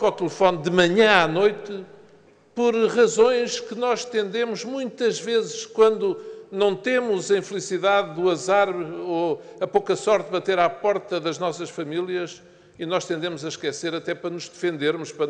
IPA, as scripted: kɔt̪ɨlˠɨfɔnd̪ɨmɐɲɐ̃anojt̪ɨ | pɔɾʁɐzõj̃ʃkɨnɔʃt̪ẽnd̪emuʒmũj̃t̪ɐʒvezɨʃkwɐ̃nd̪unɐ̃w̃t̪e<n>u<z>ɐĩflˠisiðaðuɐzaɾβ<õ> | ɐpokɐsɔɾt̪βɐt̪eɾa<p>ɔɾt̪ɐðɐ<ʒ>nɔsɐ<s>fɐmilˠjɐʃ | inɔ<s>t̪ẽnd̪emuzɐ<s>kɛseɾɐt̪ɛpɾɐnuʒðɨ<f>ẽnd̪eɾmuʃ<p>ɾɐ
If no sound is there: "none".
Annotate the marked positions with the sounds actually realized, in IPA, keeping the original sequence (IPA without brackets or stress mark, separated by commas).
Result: m, z, o, p, ʒ, ʃ, ʃ, ʃ, f, p